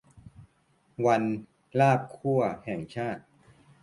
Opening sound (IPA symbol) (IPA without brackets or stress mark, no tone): w